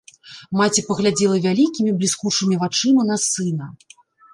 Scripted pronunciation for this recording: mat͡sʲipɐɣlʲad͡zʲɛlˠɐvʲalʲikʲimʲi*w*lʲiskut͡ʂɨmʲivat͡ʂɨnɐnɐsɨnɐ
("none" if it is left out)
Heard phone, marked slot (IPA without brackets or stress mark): b